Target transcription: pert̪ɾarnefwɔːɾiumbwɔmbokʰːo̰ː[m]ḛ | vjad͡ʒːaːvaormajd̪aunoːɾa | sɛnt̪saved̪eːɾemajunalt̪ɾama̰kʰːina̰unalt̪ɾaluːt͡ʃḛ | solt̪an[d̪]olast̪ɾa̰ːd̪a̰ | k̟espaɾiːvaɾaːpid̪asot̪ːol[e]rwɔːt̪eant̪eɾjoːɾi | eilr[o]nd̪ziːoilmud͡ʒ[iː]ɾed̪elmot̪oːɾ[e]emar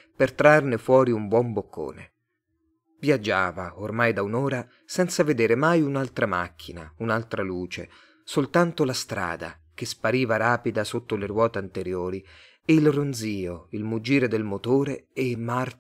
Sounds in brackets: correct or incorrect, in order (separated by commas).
incorrect, incorrect, correct, correct, correct, correct